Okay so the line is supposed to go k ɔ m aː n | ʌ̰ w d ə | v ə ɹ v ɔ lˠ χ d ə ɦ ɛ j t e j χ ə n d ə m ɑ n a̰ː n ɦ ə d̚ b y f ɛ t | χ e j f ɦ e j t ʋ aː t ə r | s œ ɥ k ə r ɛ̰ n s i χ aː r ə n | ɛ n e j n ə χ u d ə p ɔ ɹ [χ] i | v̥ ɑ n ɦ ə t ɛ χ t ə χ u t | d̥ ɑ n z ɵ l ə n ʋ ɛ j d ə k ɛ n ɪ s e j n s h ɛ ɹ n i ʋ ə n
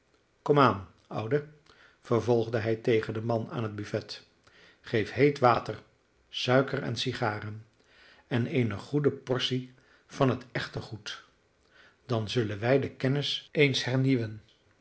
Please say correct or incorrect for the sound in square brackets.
incorrect